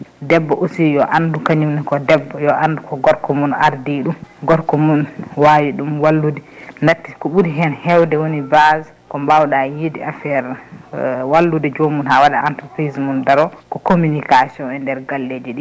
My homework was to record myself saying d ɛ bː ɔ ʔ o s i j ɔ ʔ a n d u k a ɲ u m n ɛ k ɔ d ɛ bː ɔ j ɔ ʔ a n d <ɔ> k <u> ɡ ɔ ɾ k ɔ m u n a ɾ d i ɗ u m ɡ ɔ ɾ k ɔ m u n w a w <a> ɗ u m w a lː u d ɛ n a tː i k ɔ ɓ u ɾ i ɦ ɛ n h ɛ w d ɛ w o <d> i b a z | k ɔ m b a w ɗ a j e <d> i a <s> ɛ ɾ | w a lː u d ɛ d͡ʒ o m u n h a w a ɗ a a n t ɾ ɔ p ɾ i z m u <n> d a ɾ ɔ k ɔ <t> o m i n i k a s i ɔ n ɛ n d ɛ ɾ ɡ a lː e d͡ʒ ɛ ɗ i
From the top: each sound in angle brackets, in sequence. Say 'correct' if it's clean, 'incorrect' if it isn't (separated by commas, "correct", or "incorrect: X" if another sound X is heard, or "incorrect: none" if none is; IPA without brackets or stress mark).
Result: incorrect: u, incorrect: ɔ, incorrect: i, incorrect: n, correct, incorrect: f, correct, incorrect: k